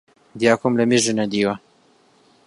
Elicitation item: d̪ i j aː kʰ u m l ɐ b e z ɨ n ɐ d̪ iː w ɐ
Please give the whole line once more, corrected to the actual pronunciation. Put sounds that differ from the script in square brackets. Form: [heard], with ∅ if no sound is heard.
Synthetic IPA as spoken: d̪ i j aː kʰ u m l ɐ [m] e [ʒ] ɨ n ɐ d̪ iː w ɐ